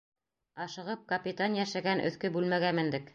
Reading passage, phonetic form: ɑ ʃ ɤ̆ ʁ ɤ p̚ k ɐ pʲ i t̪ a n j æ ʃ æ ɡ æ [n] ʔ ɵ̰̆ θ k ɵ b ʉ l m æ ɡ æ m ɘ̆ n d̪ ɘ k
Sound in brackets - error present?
no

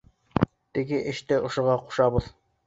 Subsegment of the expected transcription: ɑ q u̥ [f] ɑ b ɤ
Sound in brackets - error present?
yes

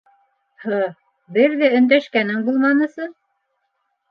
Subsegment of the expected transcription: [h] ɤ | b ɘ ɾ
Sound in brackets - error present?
no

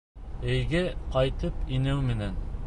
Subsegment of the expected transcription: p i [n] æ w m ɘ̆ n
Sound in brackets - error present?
no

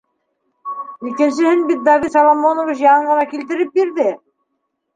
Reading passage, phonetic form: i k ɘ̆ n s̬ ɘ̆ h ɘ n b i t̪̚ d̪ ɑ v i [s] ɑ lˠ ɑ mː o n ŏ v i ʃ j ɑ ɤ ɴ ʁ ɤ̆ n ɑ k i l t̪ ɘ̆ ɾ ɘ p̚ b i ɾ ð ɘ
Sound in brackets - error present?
no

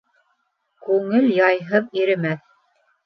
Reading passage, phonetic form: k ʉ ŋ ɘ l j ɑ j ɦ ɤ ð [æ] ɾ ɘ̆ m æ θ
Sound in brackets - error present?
yes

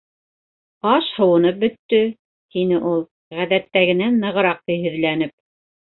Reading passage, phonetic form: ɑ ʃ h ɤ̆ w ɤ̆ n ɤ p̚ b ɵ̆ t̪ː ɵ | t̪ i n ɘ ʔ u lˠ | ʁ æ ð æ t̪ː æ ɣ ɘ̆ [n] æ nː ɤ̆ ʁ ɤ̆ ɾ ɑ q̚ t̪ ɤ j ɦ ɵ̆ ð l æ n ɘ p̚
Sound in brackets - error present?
no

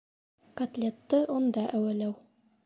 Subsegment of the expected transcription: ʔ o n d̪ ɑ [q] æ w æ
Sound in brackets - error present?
yes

